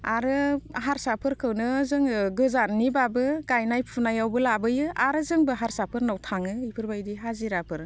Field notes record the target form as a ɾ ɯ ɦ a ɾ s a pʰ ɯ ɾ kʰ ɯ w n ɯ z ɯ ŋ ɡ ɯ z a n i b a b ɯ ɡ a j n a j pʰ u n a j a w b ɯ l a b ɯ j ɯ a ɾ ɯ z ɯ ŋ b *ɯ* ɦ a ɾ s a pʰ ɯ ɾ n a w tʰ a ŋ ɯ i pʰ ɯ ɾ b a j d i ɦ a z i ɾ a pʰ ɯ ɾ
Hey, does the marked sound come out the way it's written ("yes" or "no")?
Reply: yes